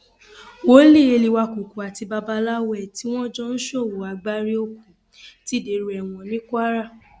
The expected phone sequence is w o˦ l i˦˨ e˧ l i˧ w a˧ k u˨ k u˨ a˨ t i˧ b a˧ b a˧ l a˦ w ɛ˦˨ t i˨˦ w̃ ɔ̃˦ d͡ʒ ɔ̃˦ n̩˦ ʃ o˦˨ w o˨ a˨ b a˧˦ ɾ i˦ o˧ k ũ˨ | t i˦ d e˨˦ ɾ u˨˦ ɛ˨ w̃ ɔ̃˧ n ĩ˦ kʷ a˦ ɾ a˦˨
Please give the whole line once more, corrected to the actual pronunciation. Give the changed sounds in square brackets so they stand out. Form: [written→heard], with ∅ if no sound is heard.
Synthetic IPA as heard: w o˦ l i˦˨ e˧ l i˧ w a˧ k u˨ k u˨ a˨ t i˧ b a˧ b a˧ l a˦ w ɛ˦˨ t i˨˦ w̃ ɔ̃˦ d͡ʒ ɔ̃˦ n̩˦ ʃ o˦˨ w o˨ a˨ [b→ɡ͡b] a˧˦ ɾ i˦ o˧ k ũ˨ | t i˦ d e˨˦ ɾ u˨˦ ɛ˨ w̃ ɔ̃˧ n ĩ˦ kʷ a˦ ɾ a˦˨